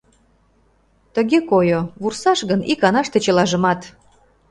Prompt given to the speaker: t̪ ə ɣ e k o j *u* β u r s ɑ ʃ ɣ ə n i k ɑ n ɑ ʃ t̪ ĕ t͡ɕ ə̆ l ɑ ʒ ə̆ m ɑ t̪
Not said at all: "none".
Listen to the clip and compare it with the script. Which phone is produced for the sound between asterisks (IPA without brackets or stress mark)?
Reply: o